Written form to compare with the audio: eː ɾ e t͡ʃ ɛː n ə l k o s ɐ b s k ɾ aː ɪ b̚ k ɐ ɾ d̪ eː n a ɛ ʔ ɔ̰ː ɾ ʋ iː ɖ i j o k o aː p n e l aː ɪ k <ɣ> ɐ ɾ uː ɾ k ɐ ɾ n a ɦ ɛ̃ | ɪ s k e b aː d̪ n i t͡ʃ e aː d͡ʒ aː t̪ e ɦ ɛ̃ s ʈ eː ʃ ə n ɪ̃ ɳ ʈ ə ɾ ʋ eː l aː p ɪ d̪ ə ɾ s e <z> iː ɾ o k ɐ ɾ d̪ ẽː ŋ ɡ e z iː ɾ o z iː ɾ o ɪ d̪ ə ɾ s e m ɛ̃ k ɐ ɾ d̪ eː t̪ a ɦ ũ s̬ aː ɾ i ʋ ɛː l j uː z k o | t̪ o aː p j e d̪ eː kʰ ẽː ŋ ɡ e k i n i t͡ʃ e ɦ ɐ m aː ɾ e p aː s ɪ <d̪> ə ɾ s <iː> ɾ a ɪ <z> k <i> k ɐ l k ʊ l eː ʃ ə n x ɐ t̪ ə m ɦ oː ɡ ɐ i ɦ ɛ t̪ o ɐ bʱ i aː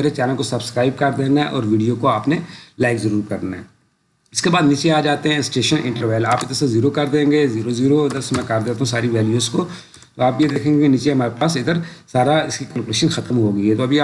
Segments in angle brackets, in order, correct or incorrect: incorrect, correct, correct, incorrect, incorrect, correct

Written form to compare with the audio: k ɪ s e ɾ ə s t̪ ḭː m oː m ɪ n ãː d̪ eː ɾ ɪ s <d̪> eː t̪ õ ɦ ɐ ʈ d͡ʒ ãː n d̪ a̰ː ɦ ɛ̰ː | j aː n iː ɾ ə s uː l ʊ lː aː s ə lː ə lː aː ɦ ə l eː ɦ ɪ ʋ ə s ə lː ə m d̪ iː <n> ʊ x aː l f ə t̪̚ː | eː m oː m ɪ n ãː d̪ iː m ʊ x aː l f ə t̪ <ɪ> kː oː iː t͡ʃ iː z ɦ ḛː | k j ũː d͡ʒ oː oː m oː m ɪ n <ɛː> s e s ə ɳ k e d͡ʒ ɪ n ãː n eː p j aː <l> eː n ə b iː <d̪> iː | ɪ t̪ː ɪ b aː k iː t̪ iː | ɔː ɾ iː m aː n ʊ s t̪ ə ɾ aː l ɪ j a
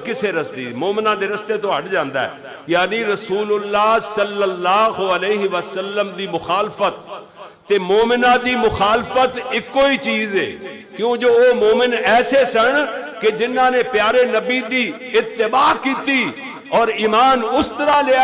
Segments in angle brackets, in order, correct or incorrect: incorrect, incorrect, correct, correct, incorrect, correct

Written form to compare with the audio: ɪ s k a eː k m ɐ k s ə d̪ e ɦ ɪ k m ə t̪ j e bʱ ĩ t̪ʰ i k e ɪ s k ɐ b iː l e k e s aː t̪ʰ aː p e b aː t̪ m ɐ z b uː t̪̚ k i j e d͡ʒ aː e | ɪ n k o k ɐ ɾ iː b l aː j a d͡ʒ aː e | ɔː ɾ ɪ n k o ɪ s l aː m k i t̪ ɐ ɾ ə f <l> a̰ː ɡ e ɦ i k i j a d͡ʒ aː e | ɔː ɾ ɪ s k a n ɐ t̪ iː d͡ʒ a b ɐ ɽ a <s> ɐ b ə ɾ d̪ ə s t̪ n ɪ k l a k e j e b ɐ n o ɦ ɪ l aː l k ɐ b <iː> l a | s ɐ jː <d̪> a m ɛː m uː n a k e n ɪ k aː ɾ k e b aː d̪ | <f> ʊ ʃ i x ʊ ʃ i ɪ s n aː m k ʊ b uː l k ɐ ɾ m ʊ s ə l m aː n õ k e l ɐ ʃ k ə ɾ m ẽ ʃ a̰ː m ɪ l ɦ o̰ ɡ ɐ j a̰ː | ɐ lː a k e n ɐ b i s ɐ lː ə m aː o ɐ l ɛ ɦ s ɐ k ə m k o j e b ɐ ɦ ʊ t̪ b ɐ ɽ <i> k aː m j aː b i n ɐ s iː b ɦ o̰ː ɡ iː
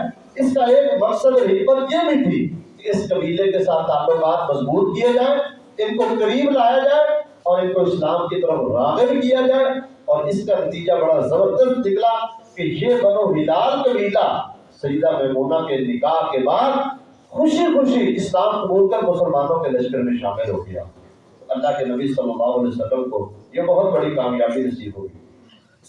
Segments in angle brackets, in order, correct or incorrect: incorrect, incorrect, correct, correct, incorrect, correct

